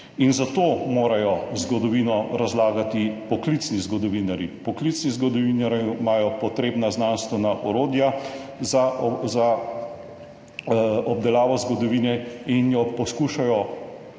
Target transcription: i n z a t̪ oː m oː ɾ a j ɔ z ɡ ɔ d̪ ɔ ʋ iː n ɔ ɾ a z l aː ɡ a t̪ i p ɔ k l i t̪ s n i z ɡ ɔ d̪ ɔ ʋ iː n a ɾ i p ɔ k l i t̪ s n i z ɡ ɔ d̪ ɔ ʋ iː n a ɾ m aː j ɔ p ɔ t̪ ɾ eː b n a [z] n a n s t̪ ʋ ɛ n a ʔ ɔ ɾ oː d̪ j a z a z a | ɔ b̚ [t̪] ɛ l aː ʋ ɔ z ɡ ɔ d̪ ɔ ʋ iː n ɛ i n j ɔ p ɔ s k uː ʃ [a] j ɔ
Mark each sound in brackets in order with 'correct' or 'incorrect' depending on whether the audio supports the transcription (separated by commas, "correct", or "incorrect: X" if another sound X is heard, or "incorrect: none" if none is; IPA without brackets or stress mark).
correct, incorrect: d̪, correct